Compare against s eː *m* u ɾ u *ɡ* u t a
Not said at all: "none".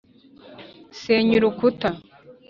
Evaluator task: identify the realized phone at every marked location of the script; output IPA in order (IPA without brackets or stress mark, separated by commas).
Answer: ɲ, k